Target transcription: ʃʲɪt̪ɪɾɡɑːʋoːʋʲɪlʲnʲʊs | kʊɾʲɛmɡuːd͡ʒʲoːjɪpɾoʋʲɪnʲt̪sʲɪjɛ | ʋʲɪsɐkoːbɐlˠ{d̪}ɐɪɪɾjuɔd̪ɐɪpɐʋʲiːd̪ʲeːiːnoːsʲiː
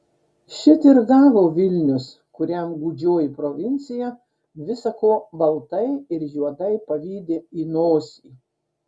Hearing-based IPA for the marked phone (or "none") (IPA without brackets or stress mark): t̪